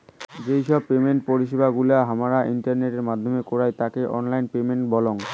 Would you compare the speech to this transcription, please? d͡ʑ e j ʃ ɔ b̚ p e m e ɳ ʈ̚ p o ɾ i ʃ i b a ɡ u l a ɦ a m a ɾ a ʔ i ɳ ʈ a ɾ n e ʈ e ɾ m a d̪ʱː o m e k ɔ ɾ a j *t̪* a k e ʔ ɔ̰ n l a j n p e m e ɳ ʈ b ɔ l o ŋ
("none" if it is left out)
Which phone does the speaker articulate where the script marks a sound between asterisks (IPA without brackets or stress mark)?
t̪